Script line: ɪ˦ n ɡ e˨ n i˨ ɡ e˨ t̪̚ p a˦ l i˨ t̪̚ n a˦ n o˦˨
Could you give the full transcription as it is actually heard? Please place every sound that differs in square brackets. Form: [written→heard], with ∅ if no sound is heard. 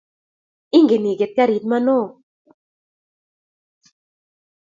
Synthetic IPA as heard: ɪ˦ [n→ŋ] ɡ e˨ n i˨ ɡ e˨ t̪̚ [p→k] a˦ [l→ɾ] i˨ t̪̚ [n→m] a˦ n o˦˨